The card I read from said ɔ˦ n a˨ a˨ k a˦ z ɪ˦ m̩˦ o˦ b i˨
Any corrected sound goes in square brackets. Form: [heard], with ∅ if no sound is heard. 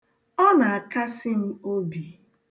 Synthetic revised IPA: ɔ˦ n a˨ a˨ k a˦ [s] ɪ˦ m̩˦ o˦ b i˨